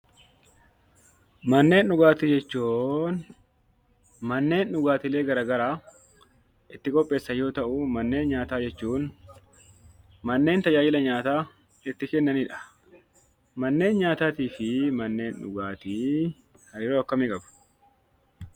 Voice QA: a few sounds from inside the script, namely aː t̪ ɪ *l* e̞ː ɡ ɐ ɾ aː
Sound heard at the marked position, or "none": l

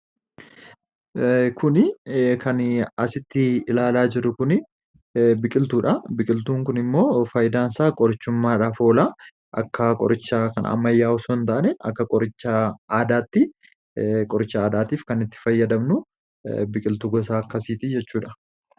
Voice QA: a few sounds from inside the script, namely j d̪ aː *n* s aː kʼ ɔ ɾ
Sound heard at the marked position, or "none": n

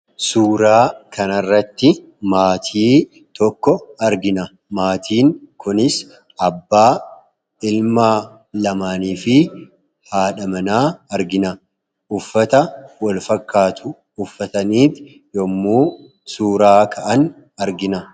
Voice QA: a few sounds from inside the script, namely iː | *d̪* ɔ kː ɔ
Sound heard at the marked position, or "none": t̪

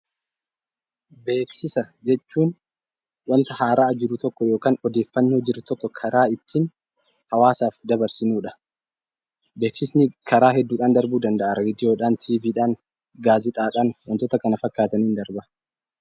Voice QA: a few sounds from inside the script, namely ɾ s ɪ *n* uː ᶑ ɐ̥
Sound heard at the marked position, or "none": n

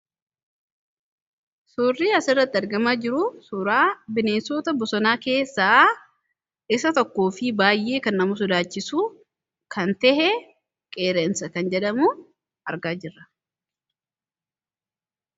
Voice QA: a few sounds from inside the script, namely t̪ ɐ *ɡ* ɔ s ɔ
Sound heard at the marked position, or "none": b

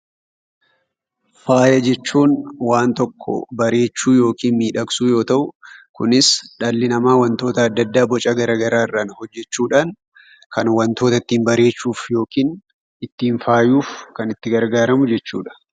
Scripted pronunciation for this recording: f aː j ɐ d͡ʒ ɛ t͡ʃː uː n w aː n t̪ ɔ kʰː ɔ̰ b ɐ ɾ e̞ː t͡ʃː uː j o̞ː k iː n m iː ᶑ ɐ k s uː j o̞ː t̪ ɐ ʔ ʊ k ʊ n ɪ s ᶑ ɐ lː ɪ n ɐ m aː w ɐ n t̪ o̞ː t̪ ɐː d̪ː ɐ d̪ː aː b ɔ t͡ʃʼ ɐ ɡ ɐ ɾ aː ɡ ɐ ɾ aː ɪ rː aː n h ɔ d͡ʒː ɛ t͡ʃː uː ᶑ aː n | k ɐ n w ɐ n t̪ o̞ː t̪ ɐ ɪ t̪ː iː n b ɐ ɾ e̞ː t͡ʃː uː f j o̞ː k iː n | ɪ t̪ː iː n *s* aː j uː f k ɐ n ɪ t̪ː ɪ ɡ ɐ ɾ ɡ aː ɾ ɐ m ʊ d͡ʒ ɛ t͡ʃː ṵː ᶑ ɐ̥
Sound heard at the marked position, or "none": f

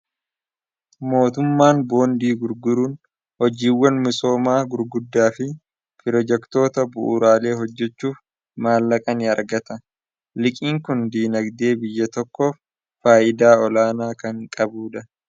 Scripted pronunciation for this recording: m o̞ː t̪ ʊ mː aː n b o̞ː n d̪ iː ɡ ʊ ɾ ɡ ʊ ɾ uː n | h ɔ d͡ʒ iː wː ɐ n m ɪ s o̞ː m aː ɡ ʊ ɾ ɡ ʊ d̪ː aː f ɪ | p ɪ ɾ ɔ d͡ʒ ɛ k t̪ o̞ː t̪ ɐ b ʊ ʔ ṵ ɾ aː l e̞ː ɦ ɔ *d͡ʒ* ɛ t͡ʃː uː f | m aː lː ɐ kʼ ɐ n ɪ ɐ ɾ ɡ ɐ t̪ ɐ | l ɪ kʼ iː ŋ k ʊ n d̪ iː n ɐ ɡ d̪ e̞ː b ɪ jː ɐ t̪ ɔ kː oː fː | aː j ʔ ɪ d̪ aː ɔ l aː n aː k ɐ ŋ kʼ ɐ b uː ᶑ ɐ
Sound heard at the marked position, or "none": d͡ʒː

